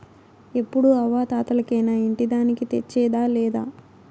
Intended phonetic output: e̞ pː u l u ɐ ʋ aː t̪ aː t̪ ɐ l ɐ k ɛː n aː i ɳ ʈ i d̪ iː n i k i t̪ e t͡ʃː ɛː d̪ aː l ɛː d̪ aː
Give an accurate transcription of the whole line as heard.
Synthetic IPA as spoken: e̞ pː u ɽ u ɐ ʋ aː t̪ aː t̪ ɐ l ɐ k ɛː n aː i ɳ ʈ i d̪ aː n i k i t̪ e t͡ʃː ɛː d̪ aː l ɛː d̪ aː